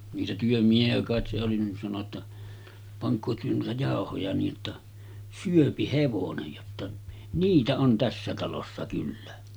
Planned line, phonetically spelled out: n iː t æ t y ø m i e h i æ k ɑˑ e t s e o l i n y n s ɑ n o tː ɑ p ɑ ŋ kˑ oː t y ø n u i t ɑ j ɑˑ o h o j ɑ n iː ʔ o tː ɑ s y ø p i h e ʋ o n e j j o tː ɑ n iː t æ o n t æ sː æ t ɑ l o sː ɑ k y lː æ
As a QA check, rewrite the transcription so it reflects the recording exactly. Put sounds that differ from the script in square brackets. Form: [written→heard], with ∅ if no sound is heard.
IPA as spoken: n iː t æ t y ø m i e h i æ k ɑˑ e t s e o l i n [y→i] n s ɑ n o tː ɑ p ɑ ŋ kˑ oː t y ø n u i t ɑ j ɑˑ o h o j ɑ n iː ʔ o tː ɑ s y ø p i h e ʋ o n e j j o tː ɑ n iː t æ o n t æ sː æ t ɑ l o sː ɑ k y lː æ